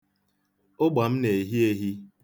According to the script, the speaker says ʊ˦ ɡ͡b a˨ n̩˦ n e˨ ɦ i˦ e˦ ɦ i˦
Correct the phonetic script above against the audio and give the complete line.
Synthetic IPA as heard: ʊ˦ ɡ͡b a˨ m̩˦ n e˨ ɦ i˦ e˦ ɦ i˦